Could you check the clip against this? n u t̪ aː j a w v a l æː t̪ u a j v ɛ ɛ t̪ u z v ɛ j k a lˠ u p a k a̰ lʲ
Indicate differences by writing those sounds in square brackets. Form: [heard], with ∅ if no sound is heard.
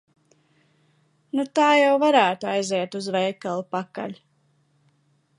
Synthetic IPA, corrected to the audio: n u t̪ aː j a w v a [ɾ] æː t̪ u a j [z] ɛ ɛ t̪ u z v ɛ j k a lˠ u p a k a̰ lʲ